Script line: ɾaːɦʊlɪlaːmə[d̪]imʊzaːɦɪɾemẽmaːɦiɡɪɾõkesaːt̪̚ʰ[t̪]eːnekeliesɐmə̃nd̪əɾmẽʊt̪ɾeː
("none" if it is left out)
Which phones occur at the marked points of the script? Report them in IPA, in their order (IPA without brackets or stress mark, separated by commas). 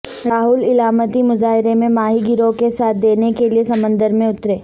t̪, d̪